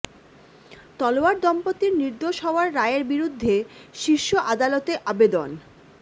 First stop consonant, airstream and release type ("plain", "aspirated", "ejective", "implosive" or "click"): plain